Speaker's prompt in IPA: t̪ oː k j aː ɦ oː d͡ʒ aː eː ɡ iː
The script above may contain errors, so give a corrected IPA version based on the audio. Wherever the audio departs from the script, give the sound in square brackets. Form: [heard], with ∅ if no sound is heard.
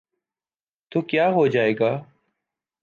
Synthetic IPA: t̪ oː k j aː ɦ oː d͡ʒ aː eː ɡ [aː]